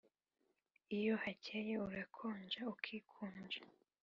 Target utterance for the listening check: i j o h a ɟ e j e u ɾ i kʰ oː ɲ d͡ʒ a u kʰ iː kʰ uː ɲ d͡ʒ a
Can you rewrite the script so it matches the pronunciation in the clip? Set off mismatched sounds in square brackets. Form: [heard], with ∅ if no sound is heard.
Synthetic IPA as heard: i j o h a [c] e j e u ɾ [a] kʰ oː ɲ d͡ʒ a u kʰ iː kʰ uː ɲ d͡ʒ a